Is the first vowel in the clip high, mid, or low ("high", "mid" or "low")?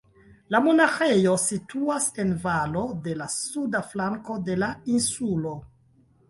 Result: low